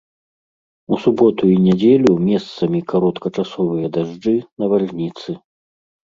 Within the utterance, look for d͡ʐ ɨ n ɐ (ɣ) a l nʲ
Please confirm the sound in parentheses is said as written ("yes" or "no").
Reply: no